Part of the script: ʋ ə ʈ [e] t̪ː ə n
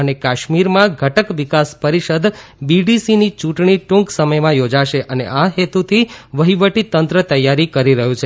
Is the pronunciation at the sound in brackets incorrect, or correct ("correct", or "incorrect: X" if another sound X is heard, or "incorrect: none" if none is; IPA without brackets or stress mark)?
incorrect: i